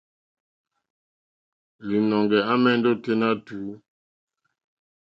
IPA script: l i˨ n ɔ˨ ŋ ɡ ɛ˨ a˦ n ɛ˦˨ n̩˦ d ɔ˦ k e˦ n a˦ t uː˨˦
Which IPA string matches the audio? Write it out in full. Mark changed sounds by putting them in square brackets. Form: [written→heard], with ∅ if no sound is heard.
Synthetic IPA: l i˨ n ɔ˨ ŋ ɡ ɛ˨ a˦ [n→m] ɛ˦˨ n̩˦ d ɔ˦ [k→t] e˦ n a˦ t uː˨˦